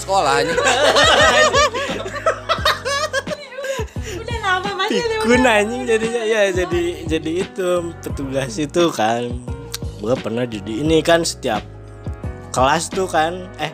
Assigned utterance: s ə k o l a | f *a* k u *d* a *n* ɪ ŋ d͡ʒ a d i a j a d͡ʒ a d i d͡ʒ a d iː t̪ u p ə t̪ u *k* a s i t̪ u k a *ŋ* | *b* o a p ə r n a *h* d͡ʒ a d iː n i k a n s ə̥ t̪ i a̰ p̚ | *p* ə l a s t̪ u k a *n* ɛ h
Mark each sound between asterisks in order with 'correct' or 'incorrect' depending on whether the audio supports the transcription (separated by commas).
incorrect, incorrect, incorrect, incorrect, incorrect, correct, correct, incorrect, correct